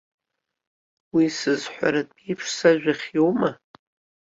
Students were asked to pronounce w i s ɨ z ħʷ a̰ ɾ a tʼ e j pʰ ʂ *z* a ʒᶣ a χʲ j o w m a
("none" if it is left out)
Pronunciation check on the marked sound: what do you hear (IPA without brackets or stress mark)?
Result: s